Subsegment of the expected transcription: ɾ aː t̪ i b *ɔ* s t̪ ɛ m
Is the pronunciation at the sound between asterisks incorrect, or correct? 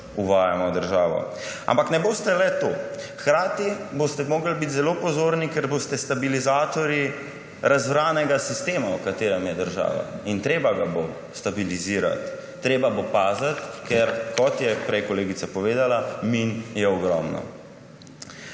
incorrect